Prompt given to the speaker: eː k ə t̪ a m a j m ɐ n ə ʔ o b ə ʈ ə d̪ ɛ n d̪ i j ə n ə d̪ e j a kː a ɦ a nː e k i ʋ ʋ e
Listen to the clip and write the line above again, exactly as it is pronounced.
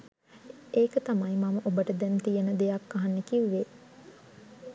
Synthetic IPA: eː k ə t̪ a m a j m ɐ m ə ʔ o b ə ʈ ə d̪ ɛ n t̪ i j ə n ə d̪ e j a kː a ɦ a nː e k i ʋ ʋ e

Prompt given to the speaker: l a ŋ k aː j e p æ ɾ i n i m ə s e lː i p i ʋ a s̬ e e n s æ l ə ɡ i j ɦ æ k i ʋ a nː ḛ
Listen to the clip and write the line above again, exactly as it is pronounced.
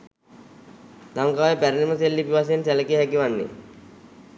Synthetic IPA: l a ŋ k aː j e p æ ɾ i n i m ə s e lː i p i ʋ a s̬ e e n s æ l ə k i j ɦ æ k i ʋ a nː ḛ

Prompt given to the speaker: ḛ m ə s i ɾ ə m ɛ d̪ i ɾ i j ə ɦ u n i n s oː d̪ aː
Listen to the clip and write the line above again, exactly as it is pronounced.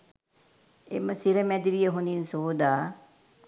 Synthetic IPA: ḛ m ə s i ɾ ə m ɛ d̪ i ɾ i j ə ɦ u n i n s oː d̪ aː

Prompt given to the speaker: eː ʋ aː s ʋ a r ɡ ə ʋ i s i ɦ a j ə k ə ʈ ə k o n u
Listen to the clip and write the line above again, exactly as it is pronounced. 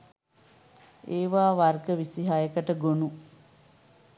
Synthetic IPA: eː ʋ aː ʋ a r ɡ ə ʋ i s i ɦ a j ə k ə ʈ ə ɡ o n u

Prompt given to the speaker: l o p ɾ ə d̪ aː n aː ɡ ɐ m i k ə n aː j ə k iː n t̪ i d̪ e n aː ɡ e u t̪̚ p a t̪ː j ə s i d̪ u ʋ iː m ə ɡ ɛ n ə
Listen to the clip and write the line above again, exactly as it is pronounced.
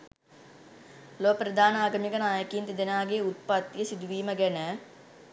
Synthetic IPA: l o p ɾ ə d̪ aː n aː ɡ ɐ m i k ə n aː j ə k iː n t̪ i d̪ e n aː ɡ e u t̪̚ p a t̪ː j ə s i d̪ u ʋ iː m ə ɡ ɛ n ə

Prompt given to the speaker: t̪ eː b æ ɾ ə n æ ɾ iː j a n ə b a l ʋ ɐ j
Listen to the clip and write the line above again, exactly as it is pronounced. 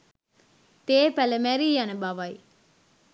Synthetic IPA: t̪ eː p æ l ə m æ ɾ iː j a n ə b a ʋ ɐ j

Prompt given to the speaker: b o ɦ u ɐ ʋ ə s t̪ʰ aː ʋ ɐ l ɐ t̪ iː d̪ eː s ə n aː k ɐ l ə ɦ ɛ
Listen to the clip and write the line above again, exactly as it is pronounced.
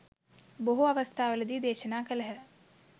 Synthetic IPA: b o ɦ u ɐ ʋ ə s t̪ʰ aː ʋ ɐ l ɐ d̪ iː d̪ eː ʃ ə n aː k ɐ l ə ɦ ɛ

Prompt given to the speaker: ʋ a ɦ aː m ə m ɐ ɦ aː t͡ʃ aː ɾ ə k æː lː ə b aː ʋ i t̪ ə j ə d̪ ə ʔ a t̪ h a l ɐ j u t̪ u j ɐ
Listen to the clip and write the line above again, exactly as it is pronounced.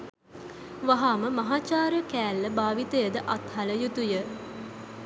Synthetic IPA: ʋ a ɦ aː m ə m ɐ ɦ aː t͡ʃ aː ɾ ə k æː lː ə b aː ʋ i t̪ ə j ə d̪ ə ʔ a t̪ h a l ə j u t̪ u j ə

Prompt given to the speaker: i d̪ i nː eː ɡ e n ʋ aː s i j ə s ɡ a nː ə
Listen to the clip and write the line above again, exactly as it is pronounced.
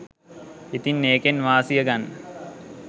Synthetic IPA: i t̪ i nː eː k e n ʋ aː s i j ə ɡ a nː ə

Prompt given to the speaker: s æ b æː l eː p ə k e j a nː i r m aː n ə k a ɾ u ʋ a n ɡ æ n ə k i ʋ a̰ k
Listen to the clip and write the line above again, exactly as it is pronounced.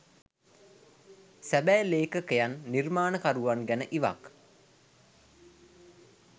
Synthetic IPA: s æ b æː l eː k ə k e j a nː i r m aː n ə k a ɾ u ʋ a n ɡ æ n ə ʔ i ʋ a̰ k

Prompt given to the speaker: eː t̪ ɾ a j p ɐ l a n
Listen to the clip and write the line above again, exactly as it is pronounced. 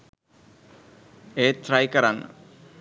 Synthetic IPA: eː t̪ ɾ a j k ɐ ɾ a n

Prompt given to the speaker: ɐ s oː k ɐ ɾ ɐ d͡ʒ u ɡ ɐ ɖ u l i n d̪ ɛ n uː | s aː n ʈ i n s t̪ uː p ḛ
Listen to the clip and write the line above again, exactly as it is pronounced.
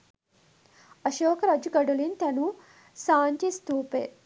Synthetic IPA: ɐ ʃ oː k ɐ ɾ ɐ d͡ʒ u ɡ ɐ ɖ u l i n t̪ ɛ n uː | s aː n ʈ i s t̪ uː p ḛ

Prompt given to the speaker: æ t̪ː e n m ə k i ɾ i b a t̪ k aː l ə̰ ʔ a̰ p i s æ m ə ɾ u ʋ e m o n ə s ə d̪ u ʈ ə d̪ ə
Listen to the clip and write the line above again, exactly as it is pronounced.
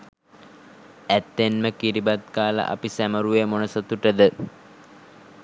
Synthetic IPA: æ t̪ː e n m ə k i ɾ i b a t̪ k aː l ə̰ ʔ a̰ p i s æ m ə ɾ u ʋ e m o n ə s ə t̪ u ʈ ə d̪ ə

